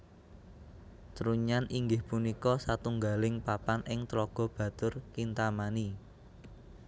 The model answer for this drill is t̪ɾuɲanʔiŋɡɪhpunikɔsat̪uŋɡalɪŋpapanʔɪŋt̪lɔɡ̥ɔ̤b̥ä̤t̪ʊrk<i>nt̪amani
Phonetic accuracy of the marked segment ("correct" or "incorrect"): correct